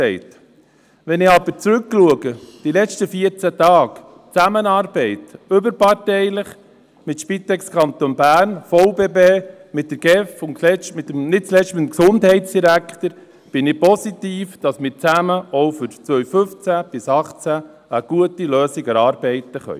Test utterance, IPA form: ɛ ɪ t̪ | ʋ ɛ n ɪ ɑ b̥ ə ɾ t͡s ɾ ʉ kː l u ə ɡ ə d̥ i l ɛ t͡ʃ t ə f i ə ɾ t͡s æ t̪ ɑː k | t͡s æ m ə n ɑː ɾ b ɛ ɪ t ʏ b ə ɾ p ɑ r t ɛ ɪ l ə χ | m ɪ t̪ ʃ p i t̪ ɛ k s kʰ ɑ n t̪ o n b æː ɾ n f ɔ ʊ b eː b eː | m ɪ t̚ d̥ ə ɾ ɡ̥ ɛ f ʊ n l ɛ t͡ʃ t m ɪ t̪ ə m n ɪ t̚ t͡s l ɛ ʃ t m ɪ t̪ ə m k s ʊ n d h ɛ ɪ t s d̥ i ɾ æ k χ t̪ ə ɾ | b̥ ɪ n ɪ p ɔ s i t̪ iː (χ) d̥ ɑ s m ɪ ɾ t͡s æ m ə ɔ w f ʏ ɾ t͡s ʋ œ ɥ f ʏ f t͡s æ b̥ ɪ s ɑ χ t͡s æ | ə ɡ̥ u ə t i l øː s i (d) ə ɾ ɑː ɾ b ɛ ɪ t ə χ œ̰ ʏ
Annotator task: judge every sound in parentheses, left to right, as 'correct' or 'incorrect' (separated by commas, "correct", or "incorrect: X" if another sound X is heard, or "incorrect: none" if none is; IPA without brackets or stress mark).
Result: incorrect: f, incorrect: ɡ